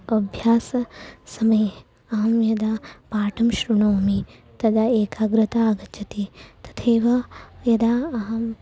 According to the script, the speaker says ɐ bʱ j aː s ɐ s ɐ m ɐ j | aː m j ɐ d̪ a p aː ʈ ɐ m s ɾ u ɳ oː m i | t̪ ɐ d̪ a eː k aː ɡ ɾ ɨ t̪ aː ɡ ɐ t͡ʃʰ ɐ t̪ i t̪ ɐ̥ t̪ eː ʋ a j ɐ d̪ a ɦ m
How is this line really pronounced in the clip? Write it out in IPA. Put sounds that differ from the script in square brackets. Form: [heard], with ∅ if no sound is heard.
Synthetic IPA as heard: ɐ bʱ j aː s ɐ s ɐ m ɐ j | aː m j ɐ d̪ a p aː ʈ ɐ m [ʃ] ɾ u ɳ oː m i | t̪ ɐ d̪ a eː k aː ɡ ɾ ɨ t̪ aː ɡ ɐ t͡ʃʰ ɐ t̪ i t̪ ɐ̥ [t̪ʰ] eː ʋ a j ɐ d̪ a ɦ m